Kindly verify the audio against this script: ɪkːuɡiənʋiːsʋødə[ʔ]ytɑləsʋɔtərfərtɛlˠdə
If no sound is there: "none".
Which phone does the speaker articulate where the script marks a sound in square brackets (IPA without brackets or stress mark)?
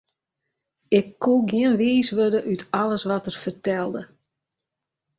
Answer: ʔ